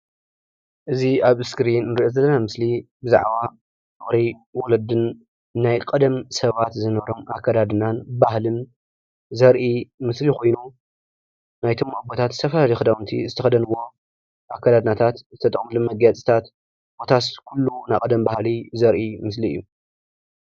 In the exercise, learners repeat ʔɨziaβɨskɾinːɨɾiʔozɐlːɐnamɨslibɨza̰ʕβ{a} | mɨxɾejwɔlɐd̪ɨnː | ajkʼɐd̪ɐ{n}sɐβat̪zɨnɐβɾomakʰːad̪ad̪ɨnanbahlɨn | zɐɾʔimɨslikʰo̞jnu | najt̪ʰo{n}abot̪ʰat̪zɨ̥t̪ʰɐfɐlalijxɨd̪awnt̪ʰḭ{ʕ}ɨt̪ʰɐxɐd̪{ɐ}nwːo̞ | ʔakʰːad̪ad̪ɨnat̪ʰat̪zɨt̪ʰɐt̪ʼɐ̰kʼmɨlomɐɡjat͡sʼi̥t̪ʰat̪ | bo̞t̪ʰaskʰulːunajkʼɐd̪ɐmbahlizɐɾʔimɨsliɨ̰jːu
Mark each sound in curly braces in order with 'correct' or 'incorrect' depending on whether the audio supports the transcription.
correct, incorrect: m, incorrect: m, incorrect: z, correct

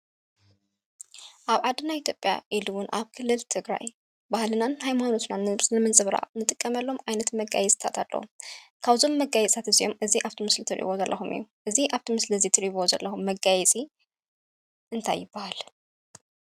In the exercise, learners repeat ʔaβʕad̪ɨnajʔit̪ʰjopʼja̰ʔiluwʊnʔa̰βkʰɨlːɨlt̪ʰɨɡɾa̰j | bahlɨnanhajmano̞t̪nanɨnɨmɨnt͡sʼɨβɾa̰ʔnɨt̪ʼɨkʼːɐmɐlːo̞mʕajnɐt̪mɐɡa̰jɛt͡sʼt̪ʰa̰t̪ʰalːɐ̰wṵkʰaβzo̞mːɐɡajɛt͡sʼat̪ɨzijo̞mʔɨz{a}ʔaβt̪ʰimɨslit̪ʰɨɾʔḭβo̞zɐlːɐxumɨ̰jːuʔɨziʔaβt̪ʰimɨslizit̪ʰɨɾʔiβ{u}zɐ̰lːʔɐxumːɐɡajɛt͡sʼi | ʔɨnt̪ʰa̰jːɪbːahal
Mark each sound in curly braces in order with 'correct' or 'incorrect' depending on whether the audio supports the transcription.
incorrect: i, incorrect: o

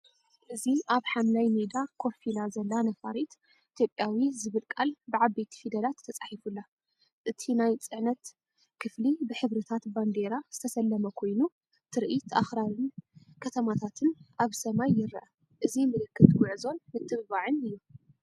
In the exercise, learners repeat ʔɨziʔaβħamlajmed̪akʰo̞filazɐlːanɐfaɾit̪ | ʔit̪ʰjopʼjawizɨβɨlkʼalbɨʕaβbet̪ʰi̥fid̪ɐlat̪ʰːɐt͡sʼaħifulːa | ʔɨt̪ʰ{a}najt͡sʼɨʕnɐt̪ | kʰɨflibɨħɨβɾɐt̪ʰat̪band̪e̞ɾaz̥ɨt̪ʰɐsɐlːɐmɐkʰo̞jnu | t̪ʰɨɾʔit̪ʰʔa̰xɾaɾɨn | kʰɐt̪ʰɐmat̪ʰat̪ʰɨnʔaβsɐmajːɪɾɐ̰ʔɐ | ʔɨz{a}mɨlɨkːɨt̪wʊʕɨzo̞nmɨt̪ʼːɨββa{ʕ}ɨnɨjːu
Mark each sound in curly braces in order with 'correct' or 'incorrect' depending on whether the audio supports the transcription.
incorrect: i, incorrect: i, correct

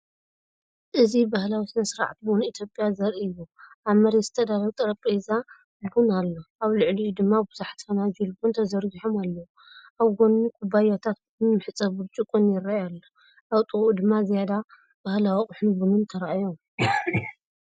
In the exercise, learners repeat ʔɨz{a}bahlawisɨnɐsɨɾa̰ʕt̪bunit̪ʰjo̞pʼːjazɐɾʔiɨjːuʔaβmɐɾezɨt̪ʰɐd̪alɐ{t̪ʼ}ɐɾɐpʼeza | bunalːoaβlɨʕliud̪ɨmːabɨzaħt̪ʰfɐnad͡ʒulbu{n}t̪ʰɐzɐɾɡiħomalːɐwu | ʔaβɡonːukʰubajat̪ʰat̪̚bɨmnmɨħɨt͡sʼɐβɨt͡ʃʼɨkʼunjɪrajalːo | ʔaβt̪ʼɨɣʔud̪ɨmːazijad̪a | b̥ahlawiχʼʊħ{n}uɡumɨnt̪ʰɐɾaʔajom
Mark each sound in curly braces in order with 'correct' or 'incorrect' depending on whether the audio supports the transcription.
incorrect: i, correct, correct, correct

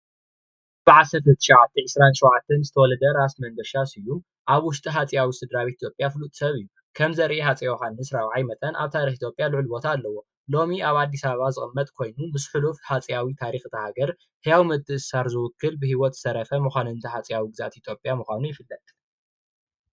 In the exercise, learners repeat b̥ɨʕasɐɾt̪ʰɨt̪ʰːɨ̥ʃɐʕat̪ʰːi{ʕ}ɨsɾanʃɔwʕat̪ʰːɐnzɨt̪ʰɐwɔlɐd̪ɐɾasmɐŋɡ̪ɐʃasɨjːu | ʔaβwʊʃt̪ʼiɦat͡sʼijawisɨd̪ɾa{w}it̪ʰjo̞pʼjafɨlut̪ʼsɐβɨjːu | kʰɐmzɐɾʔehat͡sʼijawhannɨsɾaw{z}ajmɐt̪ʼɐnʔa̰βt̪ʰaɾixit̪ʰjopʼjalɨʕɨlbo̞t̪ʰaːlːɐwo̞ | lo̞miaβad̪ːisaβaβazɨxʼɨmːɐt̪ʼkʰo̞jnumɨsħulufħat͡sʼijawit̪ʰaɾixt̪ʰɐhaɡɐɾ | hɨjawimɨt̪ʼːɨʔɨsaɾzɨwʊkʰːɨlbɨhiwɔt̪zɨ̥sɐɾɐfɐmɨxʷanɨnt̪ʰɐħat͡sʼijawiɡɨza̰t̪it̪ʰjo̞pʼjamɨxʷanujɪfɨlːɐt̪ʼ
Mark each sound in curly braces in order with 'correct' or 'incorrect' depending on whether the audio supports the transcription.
correct, incorrect: β, incorrect: ʕ

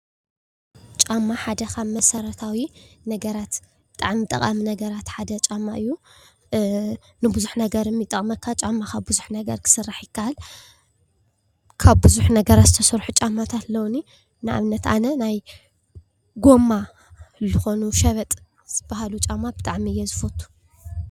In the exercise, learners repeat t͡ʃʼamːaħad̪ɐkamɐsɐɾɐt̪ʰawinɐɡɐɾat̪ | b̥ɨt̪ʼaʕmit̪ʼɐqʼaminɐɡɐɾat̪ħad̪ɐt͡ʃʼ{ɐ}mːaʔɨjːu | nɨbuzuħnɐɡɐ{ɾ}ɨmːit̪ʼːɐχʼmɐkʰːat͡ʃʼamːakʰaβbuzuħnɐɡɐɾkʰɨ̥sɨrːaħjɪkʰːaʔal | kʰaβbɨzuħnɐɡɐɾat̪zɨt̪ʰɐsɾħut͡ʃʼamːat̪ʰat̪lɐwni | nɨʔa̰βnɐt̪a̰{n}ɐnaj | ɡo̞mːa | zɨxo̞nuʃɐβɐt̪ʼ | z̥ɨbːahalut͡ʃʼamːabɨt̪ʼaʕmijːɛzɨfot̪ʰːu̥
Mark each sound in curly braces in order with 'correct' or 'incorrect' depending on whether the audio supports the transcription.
incorrect: a, correct, correct

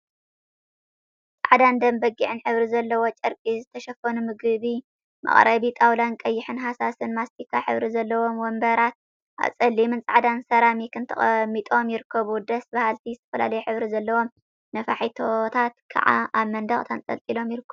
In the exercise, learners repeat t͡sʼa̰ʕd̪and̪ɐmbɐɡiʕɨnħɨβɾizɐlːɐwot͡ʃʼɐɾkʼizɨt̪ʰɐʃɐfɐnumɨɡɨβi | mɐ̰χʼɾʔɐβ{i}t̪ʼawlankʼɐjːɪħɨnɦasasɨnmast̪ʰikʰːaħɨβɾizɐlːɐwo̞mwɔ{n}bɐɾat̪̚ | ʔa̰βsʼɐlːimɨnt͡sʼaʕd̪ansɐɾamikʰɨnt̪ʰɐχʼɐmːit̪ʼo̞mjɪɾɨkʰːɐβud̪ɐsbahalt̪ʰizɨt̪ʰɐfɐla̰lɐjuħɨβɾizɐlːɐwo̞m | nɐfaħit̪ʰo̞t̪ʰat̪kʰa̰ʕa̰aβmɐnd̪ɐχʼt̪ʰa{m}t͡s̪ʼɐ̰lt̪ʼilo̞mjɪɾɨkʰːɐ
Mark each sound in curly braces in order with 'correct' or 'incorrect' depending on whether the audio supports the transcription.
correct, incorrect: m, incorrect: n

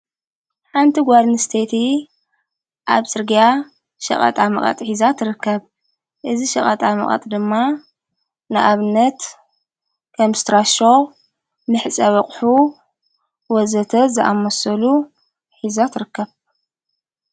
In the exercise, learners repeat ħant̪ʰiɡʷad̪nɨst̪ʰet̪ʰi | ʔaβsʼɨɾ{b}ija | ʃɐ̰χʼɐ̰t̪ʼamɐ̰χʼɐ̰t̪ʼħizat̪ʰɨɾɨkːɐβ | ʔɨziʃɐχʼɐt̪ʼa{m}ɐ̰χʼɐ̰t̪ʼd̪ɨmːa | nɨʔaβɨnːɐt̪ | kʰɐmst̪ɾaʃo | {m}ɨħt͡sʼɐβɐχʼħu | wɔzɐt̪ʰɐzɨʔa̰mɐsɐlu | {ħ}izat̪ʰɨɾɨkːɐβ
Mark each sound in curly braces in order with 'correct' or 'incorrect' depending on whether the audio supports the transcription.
incorrect: ɡ, correct, correct, correct

